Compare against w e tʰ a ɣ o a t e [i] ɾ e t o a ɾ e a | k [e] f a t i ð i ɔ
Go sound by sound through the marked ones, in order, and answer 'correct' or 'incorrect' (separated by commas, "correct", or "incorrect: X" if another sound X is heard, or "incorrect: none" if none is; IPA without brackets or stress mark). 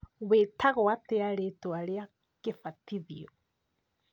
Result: incorrect: a, correct